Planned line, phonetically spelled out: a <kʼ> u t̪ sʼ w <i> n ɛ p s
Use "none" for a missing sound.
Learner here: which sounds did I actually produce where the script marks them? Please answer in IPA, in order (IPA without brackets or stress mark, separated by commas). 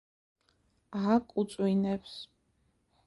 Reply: kʼ, i